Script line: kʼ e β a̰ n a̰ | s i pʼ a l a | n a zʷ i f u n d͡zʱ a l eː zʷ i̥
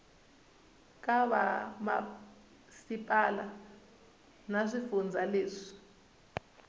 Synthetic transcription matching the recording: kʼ a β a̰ m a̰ | s i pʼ a l a | n a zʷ i f u n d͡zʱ a l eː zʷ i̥

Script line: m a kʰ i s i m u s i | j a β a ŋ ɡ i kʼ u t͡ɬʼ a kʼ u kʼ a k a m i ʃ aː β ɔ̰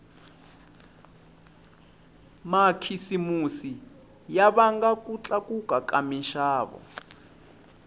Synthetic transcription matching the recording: m a kʰ i s i m u s i | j a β a ŋ ɡ a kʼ u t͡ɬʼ a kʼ u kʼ a k a m i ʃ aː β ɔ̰

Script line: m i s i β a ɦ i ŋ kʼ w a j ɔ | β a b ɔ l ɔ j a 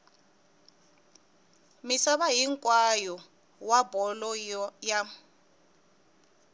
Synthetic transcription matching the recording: m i s a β a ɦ i ŋ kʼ w a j ɔ | w a b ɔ l ɔ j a

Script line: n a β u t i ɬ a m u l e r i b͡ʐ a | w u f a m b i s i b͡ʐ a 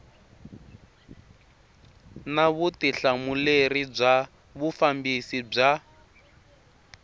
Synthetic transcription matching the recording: n a β u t i ɬ a m u l e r i b͡ʐ a | β u f a m b i s i b͡ʐ a

